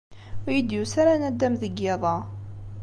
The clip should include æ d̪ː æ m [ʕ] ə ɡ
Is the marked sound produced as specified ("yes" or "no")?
no